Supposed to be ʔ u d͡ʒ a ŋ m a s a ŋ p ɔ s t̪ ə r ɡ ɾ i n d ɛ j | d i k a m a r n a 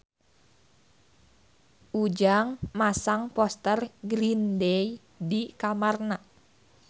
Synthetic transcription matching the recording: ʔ u d͡ʒ a ŋ m a s a ŋ p ɔ s t̪ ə r ɡ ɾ i n d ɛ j | d i k a m a r n a